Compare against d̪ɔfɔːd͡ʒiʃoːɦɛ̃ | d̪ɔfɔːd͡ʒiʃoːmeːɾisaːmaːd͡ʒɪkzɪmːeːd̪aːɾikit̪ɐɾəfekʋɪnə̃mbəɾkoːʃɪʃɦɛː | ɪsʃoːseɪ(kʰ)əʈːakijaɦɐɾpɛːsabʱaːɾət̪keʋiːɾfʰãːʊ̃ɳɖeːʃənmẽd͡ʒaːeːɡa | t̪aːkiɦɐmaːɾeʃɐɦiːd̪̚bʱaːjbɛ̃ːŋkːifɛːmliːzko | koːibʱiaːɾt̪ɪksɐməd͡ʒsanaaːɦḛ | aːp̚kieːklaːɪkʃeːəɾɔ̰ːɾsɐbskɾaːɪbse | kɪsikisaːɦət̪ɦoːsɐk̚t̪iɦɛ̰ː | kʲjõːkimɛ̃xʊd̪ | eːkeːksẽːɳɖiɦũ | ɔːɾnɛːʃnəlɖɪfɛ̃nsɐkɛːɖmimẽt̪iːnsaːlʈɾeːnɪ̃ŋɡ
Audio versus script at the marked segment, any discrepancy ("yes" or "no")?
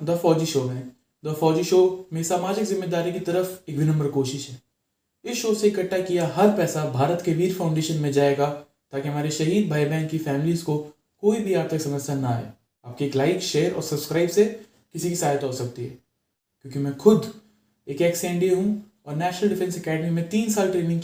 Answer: yes